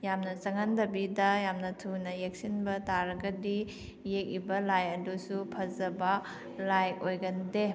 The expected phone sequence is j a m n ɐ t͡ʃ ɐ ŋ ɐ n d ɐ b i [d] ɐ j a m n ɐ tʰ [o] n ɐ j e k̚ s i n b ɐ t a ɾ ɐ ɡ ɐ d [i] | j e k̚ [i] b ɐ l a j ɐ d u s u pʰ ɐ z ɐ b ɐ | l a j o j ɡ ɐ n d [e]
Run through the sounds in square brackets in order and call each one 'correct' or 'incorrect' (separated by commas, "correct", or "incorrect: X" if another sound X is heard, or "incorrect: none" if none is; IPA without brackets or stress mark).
correct, incorrect: u, correct, correct, correct